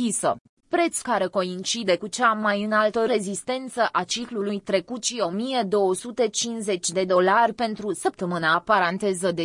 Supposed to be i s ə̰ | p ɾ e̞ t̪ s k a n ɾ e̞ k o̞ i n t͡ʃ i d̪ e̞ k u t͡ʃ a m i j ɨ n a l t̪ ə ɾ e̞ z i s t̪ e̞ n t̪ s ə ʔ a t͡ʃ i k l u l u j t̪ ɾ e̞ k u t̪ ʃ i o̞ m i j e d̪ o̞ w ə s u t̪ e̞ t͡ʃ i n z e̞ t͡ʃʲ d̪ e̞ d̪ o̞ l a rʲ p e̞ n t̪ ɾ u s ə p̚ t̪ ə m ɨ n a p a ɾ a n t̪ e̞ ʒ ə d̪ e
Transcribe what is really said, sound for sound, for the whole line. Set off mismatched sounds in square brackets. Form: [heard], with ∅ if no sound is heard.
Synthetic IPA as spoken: i s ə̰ | p ɾ e̞ t̪ s k a [∅] ɾ e̞ k o̞ i n t͡ʃ i d̪ e̞ k u t͡ʃ a m [a] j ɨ n a l t̪ ə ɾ e̞ z i s t̪ e̞ n t̪ s ə ʔ a t͡ʃ i k l u l u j t̪ ɾ e̞ k u t̪ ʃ i o̞ m i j e d̪ o̞ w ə s u t̪ e̞ t͡ʃ i n z e̞ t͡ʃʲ d̪ e̞ d̪ o̞ l a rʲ p e̞ n t̪ ɾ u s ə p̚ t̪ ə m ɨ n a p a ɾ a n t̪ e̞ [z] ə d̪ e